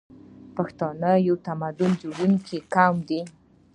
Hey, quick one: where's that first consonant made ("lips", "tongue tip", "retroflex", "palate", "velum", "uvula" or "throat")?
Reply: lips